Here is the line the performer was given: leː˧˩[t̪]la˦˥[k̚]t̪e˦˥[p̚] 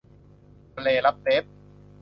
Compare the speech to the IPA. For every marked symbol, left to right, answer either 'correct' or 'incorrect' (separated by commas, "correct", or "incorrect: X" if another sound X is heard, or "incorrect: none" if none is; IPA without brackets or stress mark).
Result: incorrect: none, incorrect: p̚, correct